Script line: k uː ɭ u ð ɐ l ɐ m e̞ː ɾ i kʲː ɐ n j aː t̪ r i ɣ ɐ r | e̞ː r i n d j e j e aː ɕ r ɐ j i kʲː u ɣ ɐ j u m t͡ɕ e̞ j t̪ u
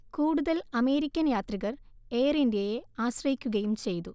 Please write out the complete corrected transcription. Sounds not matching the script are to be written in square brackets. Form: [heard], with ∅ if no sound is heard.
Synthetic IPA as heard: k uː [ɽ] u ð ɐ l ɐ m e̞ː ɾ i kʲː ɐ n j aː t̪ r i ɣ ɐ r | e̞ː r i n d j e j e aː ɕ r ɐ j i kʲː u ɣ ɐ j u m t͡ɕ e̞ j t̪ u